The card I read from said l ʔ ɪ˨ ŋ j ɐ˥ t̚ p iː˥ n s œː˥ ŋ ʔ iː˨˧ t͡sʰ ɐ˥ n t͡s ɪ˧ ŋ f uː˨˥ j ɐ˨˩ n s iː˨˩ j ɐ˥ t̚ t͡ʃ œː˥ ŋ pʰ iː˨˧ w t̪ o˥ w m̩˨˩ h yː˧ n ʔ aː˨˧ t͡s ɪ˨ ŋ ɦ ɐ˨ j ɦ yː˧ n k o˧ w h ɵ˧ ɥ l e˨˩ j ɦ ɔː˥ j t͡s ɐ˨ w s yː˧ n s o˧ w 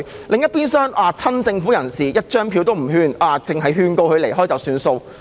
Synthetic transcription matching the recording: l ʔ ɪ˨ ŋ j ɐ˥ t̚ p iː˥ n s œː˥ ŋ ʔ aː˨˧ t͡sʰ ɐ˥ n t͡s ɪ˧ ŋ f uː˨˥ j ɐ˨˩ n s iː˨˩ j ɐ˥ t̚ t͡ʃ œː˥ ŋ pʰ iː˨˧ w t̪ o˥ w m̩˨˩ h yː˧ n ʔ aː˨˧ t͡s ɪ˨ ŋ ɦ ɐ˨ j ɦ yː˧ n k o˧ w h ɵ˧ ɥ l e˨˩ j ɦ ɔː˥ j t͡s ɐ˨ w s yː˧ n s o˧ w